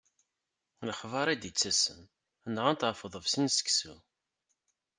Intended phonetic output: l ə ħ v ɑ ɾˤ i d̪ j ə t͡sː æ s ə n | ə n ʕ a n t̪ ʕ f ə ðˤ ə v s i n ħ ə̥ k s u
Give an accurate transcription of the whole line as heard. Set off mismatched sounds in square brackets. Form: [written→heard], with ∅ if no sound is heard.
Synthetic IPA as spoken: l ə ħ v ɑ ɾˤ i d̪ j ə t͡sː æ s ə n | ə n [ʕ→ʁ] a n t̪ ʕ f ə ðˤ ə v s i n [ħ→s] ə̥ k s u